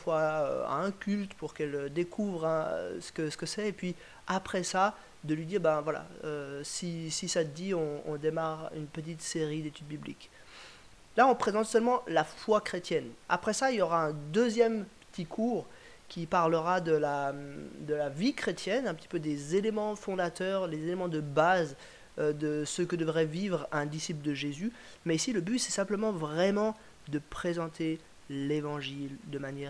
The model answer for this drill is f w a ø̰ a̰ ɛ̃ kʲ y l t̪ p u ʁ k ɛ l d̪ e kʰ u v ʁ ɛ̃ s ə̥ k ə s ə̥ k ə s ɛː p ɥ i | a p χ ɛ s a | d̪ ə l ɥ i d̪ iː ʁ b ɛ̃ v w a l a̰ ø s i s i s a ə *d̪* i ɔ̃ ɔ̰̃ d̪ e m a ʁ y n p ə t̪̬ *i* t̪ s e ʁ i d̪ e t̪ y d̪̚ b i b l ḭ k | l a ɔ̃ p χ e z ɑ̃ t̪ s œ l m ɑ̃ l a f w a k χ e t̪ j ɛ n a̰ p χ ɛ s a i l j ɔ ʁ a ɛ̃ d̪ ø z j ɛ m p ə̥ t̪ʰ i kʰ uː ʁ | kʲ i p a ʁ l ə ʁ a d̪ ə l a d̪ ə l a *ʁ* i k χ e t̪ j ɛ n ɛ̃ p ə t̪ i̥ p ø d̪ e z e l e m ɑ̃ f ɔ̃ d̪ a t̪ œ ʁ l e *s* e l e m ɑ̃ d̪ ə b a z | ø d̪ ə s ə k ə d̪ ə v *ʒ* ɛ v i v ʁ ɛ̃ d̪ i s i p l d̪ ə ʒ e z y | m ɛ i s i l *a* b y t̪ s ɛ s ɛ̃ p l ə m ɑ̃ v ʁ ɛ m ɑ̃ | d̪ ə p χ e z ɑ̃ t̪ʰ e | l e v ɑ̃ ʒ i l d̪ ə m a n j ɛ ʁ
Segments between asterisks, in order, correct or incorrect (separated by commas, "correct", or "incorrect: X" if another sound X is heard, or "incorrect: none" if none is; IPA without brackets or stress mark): correct, correct, incorrect: v, incorrect: z, incorrect: ʁ, incorrect: ə